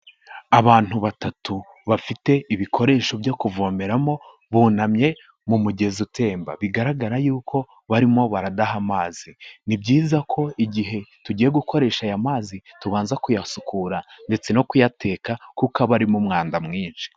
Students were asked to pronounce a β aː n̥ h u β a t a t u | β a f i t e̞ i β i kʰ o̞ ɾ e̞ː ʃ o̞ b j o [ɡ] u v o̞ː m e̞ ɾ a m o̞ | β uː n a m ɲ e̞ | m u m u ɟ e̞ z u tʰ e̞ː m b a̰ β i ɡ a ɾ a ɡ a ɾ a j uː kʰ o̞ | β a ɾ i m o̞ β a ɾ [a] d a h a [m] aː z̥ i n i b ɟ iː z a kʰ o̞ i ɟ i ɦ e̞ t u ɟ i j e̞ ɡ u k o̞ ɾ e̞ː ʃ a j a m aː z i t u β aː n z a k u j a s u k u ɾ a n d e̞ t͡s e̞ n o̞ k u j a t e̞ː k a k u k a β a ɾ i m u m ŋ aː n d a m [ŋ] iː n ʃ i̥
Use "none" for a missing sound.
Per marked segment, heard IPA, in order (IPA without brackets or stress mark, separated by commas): k, a, m, ŋ